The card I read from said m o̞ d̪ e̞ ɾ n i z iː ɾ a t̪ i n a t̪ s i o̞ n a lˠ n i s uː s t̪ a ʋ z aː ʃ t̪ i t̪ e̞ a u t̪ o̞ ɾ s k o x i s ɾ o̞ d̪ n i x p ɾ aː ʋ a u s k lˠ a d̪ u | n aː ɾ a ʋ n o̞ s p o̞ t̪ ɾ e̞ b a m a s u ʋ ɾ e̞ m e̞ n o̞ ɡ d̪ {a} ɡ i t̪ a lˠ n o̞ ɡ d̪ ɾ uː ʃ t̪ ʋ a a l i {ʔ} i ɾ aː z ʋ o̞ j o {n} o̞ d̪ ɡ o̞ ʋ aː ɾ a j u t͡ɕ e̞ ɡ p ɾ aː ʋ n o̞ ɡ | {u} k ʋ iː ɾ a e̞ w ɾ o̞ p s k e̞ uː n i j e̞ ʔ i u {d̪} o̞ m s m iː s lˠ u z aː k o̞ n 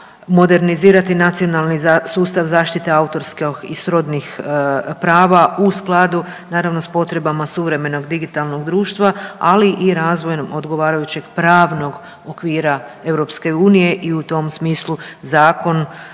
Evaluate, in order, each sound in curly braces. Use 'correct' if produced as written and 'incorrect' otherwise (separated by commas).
incorrect, correct, incorrect, incorrect, incorrect